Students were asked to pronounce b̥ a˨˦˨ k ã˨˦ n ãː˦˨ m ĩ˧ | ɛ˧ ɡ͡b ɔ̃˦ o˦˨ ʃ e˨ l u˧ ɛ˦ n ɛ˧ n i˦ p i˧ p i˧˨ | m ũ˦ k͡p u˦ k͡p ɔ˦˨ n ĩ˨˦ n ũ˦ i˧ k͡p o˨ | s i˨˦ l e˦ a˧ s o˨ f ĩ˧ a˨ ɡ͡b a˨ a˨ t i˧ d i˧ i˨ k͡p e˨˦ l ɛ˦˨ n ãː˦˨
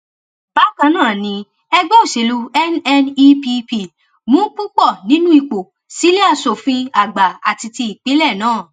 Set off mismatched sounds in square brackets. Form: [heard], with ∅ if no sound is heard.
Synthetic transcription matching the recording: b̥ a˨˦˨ k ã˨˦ n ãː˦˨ [n] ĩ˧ | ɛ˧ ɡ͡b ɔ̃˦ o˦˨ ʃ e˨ l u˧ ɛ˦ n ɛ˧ n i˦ p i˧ p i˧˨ | m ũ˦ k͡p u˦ k͡p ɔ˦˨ n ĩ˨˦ n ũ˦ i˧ k͡p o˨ | s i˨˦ l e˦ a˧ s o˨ f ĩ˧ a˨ ɡ͡b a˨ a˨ t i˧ [t] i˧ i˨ k͡p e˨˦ l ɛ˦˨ n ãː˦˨